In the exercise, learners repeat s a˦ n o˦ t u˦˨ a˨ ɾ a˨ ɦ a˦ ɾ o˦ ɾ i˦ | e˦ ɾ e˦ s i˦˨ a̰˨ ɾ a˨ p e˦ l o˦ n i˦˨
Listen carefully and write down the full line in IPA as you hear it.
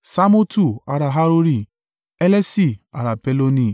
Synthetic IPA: s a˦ m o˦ t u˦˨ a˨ ɾ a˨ ɦ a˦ ɾ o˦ ɾ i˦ | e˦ l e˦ s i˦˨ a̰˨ ɾ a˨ p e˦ l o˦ n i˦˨